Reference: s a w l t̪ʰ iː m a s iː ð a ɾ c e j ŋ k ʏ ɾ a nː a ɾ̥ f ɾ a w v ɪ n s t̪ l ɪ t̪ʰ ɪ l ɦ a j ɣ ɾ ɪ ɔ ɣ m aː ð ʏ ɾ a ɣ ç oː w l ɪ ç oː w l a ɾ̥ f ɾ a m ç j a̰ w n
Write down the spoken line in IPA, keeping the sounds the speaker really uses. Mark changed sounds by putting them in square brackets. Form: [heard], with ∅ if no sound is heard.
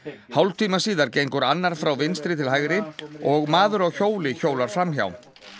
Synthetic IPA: [h] a w l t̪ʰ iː m a s iː ð a ɾ c e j ŋ k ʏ ɾ a nː a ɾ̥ f ɾ a w v ɪ n s t̪ [ɾ] ɪ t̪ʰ ɪ l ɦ a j ɣ ɾ ɪ ɔ ɣ m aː ð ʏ ɾ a ɣ ç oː w l ɪ ç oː w l a ɾ̥ f ɾ a m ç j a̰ w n